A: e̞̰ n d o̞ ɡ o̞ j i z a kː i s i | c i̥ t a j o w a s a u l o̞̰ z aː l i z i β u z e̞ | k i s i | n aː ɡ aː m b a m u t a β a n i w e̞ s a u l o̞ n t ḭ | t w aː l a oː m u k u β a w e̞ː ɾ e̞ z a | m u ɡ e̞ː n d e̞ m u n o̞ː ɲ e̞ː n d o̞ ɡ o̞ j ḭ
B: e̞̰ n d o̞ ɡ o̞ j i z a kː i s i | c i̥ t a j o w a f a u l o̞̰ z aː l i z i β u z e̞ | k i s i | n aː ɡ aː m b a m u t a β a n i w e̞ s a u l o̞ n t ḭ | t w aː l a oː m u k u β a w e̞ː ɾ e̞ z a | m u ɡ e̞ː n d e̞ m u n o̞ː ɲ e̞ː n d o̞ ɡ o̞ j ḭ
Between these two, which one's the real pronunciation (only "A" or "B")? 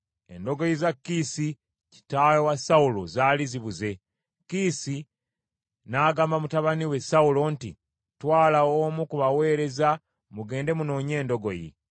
A